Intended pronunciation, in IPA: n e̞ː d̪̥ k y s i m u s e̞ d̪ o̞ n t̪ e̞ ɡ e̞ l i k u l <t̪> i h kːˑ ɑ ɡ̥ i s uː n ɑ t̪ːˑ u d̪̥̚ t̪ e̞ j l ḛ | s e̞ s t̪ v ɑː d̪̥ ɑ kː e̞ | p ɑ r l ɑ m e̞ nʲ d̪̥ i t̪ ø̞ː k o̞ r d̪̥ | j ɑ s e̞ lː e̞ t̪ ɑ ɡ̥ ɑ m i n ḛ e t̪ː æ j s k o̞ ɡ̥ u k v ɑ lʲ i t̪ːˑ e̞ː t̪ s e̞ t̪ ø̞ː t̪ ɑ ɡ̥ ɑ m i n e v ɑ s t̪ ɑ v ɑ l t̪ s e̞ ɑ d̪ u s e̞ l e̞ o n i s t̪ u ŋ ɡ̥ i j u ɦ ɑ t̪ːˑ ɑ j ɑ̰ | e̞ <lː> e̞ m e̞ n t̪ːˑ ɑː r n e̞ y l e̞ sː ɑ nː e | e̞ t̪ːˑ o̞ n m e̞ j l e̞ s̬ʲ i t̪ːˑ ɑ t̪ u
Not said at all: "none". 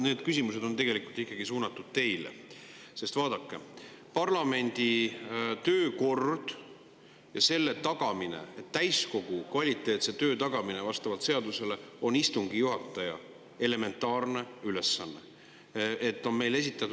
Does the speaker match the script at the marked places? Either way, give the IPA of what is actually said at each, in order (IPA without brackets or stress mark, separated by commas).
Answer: t̪, l